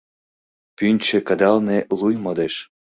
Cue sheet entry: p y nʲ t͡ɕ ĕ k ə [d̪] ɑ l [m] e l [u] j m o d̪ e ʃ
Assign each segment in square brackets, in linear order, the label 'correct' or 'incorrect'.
correct, incorrect: n, correct

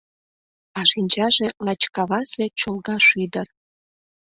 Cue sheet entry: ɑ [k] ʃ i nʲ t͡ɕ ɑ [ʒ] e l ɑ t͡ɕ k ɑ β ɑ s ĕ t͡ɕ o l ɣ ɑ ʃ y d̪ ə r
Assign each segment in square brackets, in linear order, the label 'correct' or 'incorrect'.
incorrect: none, correct

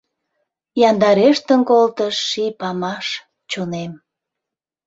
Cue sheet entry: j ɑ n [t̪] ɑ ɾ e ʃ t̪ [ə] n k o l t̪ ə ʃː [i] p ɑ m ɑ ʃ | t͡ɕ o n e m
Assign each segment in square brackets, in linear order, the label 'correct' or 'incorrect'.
incorrect: d̪, correct, correct

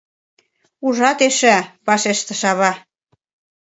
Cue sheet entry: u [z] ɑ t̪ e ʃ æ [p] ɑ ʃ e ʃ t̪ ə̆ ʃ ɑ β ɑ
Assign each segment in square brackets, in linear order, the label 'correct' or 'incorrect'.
incorrect: ʒ, correct

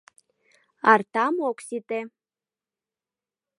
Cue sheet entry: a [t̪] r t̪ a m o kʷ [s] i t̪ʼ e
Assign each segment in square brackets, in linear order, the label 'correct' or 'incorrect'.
incorrect: none, correct

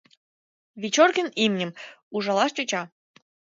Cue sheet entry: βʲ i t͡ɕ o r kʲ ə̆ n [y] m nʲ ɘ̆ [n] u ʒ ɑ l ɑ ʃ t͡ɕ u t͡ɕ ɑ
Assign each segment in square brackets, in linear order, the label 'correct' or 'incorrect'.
incorrect: i, incorrect: m

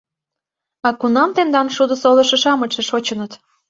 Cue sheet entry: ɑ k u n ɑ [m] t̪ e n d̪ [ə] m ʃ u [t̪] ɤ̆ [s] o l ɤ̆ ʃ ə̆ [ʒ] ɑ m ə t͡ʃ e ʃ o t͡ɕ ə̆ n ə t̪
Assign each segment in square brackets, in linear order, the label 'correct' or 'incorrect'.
correct, incorrect: ɑ, incorrect: d̪, correct, incorrect: ʃ

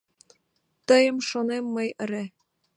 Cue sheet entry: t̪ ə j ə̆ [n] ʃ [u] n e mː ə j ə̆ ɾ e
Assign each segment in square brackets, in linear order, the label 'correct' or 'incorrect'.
incorrect: m, incorrect: o

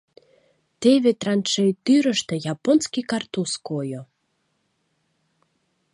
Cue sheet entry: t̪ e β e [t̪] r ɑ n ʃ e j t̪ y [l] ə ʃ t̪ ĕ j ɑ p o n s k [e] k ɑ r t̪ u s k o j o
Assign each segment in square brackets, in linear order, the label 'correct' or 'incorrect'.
correct, incorrect: ɾ, incorrect: i

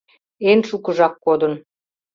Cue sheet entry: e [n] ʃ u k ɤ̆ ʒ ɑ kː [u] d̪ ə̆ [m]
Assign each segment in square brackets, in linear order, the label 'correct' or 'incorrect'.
correct, incorrect: o, incorrect: n

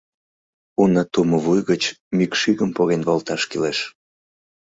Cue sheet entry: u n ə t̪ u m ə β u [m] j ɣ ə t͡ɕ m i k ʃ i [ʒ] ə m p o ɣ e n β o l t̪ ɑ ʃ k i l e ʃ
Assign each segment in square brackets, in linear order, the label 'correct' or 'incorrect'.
incorrect: none, incorrect: ɣ

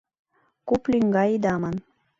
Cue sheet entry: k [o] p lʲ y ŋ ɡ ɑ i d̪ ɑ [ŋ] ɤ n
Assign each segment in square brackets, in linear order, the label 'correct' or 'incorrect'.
incorrect: u, incorrect: m

